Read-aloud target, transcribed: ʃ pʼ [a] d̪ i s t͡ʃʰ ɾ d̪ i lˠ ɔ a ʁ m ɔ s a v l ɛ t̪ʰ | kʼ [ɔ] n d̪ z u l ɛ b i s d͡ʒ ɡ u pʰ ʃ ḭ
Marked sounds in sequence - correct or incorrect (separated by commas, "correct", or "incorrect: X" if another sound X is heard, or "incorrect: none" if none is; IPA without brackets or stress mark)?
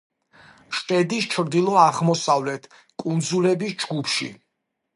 incorrect: ɛ, incorrect: u